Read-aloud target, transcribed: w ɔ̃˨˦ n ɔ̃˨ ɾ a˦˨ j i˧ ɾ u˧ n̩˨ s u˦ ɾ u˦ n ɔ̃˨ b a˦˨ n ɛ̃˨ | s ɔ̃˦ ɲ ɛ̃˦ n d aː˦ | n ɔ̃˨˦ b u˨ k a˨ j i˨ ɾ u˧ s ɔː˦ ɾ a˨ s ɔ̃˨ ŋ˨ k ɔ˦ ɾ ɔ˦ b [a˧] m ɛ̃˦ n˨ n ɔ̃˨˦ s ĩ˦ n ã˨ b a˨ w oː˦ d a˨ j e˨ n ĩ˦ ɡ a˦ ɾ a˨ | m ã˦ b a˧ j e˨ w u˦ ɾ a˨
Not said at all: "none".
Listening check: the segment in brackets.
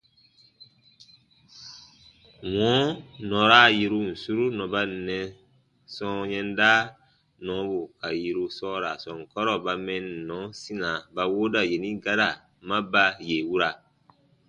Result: a˧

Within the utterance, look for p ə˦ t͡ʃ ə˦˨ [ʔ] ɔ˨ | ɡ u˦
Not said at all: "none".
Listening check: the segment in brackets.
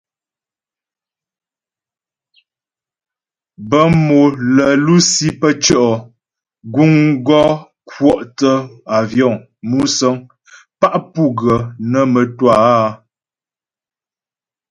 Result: ʔ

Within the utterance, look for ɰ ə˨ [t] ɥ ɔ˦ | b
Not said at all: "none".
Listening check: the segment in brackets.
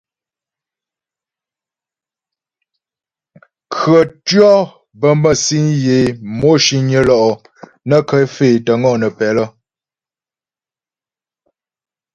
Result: t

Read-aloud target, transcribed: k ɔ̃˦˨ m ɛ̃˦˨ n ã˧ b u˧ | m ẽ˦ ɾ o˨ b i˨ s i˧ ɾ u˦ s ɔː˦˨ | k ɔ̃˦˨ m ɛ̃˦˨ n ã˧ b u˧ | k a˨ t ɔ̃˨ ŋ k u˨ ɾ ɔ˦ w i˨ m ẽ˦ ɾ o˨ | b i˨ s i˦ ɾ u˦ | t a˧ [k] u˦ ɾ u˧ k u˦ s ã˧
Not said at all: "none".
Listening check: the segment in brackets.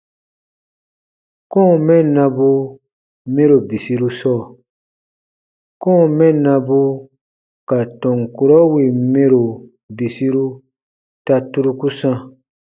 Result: t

